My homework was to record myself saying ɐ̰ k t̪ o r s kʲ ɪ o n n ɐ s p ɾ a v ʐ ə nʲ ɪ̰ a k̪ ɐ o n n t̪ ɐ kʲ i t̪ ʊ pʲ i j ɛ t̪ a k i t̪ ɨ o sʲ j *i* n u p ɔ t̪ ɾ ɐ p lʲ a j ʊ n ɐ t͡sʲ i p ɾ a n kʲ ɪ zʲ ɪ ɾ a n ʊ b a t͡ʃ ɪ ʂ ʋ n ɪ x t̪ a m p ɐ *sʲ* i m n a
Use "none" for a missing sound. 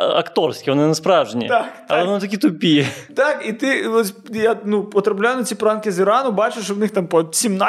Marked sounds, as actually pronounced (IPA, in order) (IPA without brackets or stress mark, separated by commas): a, sʲ